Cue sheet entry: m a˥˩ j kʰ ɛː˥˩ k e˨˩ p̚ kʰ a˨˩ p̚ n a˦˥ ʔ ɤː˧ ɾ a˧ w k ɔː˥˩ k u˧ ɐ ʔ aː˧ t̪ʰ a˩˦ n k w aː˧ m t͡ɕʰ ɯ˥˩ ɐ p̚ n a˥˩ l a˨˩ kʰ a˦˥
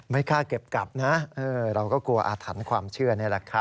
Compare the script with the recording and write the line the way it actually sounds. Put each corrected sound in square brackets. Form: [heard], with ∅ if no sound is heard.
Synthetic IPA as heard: m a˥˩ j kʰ [aː˥˩] k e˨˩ p̚ [k] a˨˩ p̚ n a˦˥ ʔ ɤː˧ ɾ a˧ w k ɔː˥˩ k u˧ ɐ ʔ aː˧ t̪ʰ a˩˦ n [kʰ] w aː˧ m t͡ɕʰ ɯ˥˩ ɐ [∅] n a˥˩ l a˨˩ kʰ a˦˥